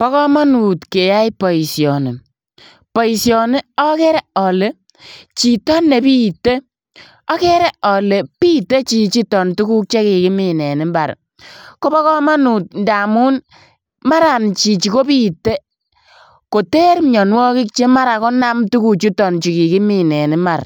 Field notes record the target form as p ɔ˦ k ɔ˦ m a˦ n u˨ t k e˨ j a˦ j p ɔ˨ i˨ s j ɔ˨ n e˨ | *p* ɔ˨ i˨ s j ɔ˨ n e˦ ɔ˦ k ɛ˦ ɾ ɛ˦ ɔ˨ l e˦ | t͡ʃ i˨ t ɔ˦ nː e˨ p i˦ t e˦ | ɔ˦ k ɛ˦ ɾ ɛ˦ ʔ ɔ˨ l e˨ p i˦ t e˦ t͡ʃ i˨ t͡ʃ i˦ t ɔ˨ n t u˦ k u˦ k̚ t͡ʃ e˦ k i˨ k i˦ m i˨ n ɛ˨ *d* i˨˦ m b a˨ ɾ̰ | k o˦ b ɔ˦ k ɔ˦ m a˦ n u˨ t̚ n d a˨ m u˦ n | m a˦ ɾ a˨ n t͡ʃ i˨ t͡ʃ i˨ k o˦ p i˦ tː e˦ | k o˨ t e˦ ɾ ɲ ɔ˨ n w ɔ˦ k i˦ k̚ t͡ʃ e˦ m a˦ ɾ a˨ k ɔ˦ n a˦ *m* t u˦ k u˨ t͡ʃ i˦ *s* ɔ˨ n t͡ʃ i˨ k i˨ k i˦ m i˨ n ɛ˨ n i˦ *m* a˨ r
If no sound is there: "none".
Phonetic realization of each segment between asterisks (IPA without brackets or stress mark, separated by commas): p, n, m, t, m